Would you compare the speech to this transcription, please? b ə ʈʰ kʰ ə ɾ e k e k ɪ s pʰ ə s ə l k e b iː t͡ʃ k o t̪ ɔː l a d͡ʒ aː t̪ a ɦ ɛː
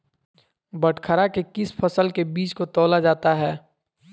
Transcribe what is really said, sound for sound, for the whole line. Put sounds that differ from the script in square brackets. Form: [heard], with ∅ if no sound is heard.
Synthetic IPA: b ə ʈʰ kʰ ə ɾ [a] k e k ɪ s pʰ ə s ə l k e b iː t͡ʃ k o t̪ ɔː l a d͡ʒ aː t̪ a ɦ ɛː

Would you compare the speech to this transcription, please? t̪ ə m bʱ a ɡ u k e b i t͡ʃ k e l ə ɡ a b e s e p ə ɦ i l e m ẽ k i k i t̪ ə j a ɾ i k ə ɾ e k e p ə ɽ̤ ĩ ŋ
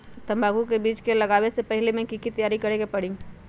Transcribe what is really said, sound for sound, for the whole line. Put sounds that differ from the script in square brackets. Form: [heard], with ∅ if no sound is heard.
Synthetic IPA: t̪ ə m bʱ a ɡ u k e b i t͡ʃ k e l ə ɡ a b e s e p ə ɦ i l e m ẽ k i k i t̪ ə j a ɾ i k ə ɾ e k e p ə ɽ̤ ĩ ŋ

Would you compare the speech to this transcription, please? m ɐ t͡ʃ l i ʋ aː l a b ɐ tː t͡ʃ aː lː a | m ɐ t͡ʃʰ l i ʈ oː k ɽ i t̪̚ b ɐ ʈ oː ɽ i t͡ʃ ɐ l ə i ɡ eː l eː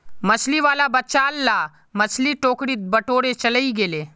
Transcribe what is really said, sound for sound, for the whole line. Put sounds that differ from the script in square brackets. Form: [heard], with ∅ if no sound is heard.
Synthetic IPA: m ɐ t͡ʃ l i ʋ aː l a b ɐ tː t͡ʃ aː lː a | m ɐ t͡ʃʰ l i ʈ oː k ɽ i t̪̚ b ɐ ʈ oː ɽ [e] t͡ʃ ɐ l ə i ɡ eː l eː

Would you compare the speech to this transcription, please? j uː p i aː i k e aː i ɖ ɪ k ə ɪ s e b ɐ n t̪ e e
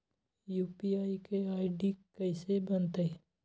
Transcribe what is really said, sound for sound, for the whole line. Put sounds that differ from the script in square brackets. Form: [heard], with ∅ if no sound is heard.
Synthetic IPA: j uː p i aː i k e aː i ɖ [i] k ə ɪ s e b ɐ n t̪ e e

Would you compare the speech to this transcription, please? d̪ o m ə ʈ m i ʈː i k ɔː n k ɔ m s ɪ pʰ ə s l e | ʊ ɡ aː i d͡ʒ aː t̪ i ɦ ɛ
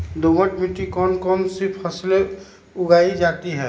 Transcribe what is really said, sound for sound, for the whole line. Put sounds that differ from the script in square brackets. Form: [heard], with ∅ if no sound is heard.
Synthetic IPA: d̪ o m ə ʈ m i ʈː i k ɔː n k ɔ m s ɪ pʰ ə s l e | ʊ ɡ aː i d͡ʒ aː t̪ i ɦ ɛ

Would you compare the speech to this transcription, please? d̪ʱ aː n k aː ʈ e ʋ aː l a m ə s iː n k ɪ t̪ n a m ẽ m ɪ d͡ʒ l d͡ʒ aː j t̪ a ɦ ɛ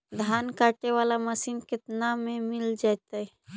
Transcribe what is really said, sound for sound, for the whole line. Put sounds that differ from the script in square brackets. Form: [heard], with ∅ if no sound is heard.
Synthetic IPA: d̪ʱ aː n k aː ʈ e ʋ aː l a m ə s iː n k ɪ t̪ n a m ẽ m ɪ [∅] l d͡ʒ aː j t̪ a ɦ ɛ

